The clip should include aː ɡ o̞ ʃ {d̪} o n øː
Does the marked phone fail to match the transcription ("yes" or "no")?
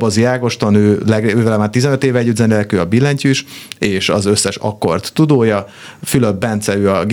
yes